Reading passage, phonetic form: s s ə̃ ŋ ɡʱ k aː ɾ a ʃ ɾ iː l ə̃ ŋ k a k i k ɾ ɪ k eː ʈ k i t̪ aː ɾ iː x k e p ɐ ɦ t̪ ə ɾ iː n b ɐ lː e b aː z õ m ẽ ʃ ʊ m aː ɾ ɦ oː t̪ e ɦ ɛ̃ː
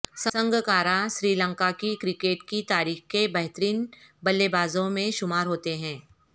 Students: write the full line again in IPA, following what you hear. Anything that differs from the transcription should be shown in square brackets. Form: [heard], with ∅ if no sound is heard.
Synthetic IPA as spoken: s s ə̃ ŋ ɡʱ k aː ɾ a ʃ ɾ iː l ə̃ ŋ k a k i k ɾ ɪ k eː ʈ k i t̪ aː ɾ iː x k e [b] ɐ ɦ t̪ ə ɾ iː n b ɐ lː e b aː z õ m ẽ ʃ ʊ m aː ɾ ɦ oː t̪ e ɦ ɛ̃ː